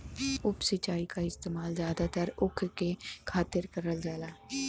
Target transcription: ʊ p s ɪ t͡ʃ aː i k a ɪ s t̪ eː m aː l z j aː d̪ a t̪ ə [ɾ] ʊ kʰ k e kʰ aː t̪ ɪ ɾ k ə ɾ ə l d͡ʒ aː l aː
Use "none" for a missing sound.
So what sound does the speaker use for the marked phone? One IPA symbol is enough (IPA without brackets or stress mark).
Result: ɾ